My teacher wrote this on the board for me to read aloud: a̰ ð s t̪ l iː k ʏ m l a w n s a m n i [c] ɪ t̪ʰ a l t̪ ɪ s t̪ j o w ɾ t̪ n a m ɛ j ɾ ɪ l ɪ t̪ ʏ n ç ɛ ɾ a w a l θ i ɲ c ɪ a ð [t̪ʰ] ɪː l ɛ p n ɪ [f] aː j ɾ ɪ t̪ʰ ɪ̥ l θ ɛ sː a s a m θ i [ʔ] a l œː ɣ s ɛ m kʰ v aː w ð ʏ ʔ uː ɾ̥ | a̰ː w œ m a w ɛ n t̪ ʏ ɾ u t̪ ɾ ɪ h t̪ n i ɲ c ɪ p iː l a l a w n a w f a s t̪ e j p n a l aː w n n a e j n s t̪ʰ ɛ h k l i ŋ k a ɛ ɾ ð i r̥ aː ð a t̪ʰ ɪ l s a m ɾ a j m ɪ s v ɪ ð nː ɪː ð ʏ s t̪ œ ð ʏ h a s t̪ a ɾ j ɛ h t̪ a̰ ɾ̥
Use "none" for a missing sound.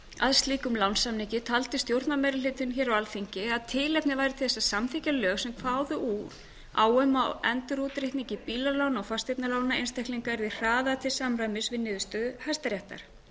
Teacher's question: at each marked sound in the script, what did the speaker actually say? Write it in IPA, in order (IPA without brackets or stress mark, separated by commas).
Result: c, t̪ʰ, v, c